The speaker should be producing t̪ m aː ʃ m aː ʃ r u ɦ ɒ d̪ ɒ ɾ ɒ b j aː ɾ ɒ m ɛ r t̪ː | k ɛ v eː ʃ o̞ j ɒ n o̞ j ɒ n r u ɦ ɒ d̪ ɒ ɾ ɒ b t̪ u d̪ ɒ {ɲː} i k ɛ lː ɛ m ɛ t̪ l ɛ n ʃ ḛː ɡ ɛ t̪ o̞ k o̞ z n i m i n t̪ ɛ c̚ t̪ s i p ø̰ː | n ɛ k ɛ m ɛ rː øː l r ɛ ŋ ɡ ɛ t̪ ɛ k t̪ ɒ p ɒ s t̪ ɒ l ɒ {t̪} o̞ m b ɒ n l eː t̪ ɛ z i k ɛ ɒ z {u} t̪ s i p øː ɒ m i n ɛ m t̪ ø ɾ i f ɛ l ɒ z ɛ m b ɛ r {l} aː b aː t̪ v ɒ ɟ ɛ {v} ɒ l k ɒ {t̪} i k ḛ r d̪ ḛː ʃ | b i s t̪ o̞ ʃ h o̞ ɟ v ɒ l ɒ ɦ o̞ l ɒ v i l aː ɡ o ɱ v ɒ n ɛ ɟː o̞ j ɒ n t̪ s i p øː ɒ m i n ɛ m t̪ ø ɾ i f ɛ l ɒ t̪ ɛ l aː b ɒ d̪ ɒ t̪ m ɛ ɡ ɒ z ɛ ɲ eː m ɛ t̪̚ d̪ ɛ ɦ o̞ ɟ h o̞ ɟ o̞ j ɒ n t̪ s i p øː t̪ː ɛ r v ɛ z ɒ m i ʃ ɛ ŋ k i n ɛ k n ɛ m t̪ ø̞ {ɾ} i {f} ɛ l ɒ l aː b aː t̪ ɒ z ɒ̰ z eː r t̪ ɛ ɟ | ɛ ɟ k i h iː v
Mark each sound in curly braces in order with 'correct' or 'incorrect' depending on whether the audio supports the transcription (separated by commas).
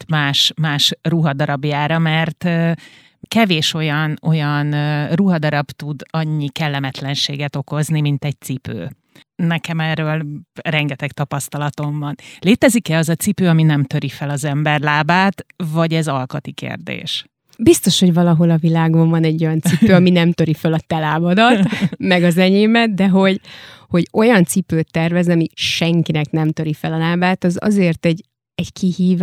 correct, correct, incorrect, correct, incorrect, correct, correct, correct